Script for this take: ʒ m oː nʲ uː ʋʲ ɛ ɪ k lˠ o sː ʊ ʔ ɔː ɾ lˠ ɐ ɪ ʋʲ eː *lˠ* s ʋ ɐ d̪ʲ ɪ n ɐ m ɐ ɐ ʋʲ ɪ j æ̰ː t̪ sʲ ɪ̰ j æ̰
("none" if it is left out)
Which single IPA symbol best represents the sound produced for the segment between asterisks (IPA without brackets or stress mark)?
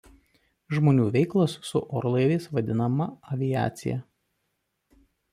none